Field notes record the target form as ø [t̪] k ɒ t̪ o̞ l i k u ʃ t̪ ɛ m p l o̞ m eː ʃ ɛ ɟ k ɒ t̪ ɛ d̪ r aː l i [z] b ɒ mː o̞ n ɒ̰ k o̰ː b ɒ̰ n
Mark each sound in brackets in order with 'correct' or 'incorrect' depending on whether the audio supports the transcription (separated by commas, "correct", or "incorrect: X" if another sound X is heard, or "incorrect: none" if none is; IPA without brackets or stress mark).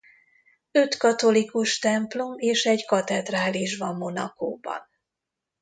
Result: correct, incorrect: ʒ